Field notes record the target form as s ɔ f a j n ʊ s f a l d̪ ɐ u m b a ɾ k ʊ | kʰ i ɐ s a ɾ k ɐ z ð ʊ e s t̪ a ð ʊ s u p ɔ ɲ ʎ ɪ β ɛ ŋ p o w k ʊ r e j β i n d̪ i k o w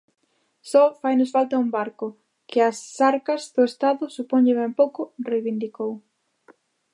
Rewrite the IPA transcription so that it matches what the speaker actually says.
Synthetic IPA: s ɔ f a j n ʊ s f a l t̪ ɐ u m b a ɾ k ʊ | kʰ ɪ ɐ s a ɾ k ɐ z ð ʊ e s t̪ a ð ʊ s u p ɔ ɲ ʎ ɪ β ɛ m p o w k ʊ r e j β i n d̪ i k o w